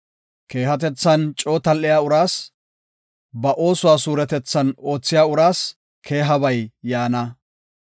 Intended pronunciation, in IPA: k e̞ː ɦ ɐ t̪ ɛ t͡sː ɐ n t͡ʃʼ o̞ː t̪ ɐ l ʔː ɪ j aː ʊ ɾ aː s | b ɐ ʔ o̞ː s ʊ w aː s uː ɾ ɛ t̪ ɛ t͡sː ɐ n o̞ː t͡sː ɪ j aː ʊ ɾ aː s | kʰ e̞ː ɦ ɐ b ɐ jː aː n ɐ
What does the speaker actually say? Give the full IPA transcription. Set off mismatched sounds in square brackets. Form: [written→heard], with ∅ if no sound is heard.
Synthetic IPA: k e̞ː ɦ ɐ t̪ ɛ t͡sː ɐ n t͡ʃʼ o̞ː t̪ ɐ l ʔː ɪ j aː ʊ ɾ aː s | b ɐ ʔ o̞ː s ʊ w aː s uː ɾ ɛ t̪ ɛ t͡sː ɐ n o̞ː t͡sː ɪ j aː ʊ ɾ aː s | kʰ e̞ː ɦ ɐ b ɐ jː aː n ɐ